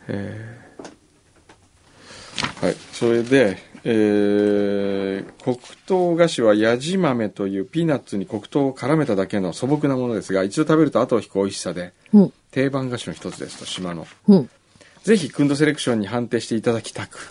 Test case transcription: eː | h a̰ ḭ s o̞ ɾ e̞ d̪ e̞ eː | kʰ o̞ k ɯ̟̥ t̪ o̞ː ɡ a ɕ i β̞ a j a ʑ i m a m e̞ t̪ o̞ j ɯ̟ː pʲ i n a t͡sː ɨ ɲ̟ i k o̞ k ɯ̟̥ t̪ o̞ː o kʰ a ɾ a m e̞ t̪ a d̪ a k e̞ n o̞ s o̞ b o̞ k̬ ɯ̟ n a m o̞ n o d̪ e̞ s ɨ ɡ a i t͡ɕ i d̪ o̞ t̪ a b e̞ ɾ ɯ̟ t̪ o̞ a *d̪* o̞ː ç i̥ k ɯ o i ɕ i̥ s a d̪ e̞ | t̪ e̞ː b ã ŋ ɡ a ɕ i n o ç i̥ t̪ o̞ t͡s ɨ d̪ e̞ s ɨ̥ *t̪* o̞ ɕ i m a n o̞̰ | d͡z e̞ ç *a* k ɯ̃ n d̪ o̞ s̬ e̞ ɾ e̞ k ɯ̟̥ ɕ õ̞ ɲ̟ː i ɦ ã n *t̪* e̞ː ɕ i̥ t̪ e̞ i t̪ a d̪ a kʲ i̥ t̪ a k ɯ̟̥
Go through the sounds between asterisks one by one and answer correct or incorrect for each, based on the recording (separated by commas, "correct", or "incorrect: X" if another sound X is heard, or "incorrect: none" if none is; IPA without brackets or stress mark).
incorrect: t̪, correct, incorrect: i, correct